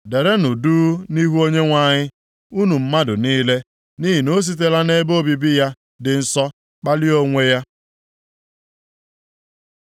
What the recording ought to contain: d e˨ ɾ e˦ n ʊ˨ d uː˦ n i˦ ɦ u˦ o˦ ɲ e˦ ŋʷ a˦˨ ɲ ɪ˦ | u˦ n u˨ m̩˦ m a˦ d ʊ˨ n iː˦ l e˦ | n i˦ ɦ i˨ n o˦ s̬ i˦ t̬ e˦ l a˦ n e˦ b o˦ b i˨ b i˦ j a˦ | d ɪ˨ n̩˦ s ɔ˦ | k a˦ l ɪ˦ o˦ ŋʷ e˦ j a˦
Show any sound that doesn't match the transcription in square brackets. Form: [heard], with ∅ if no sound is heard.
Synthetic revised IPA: d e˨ ɾ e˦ n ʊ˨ d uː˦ n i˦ ɦ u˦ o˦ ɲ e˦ ŋʷ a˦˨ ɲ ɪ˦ | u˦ n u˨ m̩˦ m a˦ d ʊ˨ n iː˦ l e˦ | n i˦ ɦ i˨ n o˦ s̬ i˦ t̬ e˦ l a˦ n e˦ b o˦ b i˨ b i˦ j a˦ | d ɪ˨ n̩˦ s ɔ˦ | [k͡p] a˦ l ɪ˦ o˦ ŋʷ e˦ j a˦